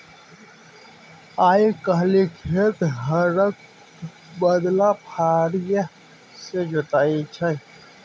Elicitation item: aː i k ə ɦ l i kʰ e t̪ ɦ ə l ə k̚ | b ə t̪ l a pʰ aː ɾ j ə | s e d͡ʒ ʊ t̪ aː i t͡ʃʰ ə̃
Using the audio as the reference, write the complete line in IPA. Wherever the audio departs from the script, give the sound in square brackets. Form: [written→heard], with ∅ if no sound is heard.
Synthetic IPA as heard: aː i k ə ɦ l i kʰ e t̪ ɦ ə [l→ɾ] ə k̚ | b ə [t̪→d̪] l a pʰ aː ɾ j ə | s e d͡ʒ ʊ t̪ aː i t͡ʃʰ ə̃